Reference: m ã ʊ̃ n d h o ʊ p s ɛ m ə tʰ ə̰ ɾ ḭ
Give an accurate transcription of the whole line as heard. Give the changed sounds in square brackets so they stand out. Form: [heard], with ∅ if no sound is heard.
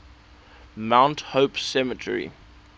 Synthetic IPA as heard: m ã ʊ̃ n [t] h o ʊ p s ɛ m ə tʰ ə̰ [ɹ] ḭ